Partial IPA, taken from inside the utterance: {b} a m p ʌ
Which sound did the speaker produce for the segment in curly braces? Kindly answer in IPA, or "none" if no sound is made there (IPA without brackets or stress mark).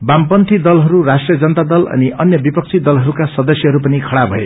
b